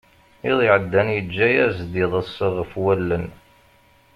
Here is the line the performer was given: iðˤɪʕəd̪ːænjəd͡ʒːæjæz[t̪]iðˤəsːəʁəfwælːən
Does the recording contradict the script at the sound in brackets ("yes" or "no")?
yes